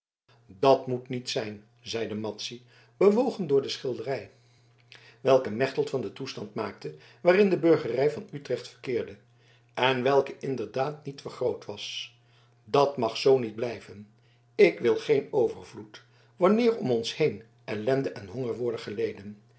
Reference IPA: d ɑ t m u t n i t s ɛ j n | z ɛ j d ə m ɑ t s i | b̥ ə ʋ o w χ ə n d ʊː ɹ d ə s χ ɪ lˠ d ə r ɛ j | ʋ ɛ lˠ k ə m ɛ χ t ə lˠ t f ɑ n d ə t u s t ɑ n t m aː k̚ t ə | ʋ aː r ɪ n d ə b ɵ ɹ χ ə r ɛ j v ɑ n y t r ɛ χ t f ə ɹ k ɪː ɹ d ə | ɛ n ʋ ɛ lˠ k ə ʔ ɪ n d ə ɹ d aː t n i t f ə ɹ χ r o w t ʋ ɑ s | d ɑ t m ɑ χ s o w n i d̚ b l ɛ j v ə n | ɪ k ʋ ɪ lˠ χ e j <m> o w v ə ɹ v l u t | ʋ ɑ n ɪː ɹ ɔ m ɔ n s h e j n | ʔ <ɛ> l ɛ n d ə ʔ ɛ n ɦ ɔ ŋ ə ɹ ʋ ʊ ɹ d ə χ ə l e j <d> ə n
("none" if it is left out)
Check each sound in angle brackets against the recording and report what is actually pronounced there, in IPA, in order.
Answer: n, ɛ, d

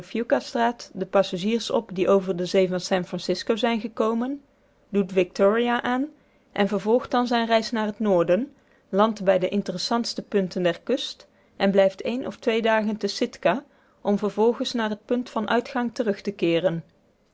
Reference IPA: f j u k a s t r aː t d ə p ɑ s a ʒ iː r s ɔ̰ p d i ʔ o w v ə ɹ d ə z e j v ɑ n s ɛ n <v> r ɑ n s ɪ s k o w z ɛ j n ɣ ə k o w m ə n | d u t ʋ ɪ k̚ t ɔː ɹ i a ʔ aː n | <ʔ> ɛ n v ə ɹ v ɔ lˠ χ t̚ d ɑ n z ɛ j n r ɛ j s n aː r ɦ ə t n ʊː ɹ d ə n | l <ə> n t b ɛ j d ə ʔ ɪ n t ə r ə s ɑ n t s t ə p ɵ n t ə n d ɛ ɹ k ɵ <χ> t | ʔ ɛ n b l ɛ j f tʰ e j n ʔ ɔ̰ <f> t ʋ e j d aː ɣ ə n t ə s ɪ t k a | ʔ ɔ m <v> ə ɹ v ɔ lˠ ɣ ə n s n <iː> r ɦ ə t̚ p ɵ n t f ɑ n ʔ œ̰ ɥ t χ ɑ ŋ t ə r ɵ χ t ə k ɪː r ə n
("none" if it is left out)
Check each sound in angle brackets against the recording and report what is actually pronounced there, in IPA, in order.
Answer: f, ʔ, ɑ, s, f, v, aː

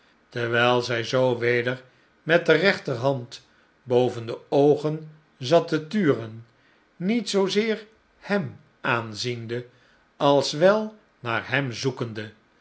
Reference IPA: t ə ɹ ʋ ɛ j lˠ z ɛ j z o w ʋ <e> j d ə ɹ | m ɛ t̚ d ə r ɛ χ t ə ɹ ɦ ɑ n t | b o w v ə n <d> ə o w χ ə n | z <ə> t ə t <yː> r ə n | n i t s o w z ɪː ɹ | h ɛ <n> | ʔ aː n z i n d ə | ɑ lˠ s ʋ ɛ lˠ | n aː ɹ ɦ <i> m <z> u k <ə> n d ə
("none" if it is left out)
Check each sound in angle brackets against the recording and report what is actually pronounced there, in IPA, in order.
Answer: e, d, ɑ, yː, m, ɛ, z, ə

